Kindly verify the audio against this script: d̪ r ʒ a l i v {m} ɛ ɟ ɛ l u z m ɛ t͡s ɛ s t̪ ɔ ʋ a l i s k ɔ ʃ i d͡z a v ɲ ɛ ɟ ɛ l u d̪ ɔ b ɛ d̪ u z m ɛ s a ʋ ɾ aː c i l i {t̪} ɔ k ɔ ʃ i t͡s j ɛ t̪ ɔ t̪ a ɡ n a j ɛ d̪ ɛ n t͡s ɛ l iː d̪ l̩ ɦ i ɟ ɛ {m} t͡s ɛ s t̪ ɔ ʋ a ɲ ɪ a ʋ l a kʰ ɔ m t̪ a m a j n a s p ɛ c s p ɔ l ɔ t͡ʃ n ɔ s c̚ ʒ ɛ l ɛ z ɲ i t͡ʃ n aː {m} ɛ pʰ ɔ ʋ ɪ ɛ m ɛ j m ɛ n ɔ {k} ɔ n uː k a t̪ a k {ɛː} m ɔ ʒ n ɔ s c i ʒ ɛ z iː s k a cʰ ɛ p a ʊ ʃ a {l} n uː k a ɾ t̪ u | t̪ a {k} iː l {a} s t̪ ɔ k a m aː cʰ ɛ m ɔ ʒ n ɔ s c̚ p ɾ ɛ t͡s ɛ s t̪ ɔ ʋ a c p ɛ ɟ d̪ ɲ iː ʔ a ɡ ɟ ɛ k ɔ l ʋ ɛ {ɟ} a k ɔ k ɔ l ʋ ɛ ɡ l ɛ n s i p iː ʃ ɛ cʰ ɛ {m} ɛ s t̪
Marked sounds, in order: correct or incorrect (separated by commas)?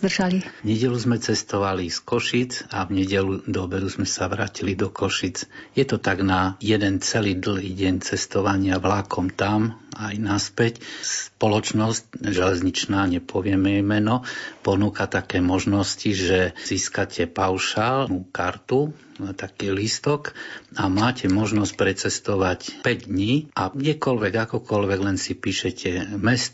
incorrect, incorrect, incorrect, incorrect, incorrect, correct, correct, correct, incorrect, incorrect, correct